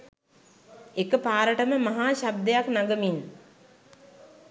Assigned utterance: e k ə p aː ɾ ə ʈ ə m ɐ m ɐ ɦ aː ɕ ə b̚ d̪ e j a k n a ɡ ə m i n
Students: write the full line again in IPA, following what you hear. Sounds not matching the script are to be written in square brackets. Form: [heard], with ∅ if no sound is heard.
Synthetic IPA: e k ə p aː ɾ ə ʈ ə m [ə] m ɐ ɦ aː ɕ [a] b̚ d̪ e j a k n a ɡ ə m i n